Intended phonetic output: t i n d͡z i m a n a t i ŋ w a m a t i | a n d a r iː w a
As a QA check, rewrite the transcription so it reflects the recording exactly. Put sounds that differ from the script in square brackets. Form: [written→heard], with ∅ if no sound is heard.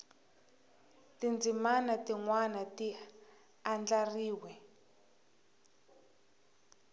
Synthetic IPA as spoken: t i n d͡z i m a n a t i ŋ w a [m→n] a t i | a n [d→d͡ɮ] a r iː w [a→ɛ]